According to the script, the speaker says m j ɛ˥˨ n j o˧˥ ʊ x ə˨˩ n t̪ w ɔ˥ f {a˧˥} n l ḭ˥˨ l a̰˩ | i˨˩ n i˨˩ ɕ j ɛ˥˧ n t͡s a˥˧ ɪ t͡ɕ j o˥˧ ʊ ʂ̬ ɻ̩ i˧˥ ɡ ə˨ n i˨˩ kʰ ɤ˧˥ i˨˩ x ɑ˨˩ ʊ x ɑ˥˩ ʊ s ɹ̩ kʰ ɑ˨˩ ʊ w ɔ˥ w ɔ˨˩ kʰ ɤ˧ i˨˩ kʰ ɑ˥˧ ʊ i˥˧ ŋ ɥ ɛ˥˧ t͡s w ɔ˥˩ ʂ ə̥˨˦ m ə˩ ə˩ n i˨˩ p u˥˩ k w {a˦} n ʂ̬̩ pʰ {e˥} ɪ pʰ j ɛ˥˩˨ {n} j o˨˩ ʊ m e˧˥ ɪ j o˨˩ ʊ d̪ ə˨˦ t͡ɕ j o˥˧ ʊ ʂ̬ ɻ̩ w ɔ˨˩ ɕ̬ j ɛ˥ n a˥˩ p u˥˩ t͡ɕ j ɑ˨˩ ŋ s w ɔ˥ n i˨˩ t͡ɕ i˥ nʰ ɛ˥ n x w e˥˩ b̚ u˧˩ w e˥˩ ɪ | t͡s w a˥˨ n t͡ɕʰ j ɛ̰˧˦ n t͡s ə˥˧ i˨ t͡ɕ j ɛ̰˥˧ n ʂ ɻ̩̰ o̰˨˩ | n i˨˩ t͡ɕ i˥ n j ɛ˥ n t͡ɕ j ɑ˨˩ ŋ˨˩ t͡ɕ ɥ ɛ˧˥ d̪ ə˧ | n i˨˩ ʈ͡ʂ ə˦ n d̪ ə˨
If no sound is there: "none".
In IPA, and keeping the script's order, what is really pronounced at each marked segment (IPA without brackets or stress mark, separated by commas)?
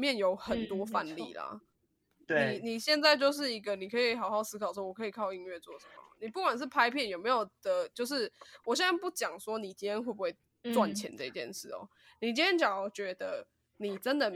a˥˧, a˨˩, a˥, n